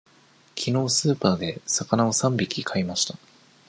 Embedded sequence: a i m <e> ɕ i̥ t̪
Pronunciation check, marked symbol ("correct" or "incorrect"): incorrect